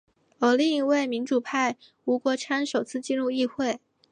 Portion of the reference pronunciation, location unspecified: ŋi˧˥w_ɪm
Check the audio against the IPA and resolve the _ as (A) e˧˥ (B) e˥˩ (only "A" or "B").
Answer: B